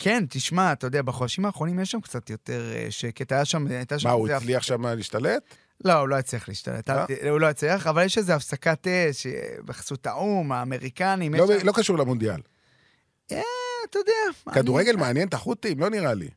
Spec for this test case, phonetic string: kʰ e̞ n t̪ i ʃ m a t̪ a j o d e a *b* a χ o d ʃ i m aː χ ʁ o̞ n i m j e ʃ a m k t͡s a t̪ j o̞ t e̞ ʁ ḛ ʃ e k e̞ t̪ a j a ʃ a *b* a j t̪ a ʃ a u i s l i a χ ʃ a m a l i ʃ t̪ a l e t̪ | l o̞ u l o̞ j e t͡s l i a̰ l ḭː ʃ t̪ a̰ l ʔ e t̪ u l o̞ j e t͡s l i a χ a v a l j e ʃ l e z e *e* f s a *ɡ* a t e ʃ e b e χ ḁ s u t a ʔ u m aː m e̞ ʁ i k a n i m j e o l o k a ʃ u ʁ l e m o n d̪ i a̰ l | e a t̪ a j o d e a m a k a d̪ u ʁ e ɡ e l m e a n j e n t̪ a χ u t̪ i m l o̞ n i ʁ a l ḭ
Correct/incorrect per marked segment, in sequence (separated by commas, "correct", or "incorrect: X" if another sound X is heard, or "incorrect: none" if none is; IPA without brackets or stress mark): correct, incorrect: m, incorrect: a, incorrect: k